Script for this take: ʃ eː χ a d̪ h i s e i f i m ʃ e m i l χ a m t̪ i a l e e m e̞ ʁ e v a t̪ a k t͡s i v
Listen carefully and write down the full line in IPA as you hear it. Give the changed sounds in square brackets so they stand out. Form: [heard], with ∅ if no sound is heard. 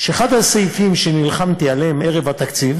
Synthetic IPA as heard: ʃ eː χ a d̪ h [a] s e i f i m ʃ e [n] i l χ a m t̪ i a l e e m e̞ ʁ e v a t̪ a k t͡s i v